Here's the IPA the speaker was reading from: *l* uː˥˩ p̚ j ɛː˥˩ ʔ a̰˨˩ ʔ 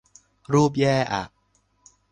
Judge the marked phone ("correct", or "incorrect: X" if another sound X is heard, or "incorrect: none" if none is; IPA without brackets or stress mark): incorrect: ɾ